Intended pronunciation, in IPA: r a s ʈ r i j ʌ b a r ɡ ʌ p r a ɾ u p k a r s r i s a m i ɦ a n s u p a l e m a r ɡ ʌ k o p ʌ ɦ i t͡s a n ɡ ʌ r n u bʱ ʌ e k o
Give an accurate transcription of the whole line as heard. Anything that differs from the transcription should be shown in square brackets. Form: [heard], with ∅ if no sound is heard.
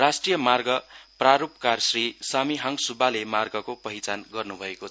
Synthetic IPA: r a s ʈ r i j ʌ [m] a r ɡ ʌ p r a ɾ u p k a r s r i s a m i ɦ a [ŋ] s u [b] a l e m a r ɡ ʌ k o p ʌ ɦ i t͡s a n ɡ ʌ r n u bʱ ʌ e k o